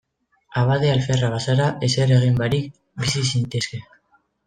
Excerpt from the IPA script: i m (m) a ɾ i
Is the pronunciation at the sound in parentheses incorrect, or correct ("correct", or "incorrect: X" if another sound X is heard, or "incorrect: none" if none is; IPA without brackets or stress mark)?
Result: incorrect: b